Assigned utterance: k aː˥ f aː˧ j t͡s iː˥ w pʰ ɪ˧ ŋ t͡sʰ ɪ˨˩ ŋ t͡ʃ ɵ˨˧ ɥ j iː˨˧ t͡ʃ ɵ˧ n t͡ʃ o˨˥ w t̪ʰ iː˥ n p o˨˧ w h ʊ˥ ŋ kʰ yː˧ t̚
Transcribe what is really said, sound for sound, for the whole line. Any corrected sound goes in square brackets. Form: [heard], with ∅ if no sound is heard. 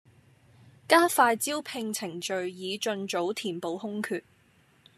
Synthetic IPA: k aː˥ f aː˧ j t͡s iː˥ w pʰ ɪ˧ ŋ t͡sʰ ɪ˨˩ ŋ t͡ʃ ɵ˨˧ ɥ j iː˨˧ t͡ʃ ɵ˧ n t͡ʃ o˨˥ w t̪ʰ [iː˨˩] n p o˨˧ w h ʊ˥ ŋ kʰ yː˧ t̚